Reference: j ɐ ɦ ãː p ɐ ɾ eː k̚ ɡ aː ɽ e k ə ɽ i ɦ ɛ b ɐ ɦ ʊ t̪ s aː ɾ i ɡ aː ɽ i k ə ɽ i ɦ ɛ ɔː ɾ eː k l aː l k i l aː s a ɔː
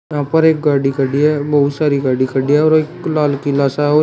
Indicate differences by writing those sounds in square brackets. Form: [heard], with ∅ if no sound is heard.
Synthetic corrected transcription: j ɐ ɦ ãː p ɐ ɾ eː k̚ ɡ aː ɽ [i] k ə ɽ i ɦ ɛ b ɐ ɦ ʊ t̪ s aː ɾ i ɡ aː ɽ i k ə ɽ i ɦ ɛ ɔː ɾ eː k l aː l k i l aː s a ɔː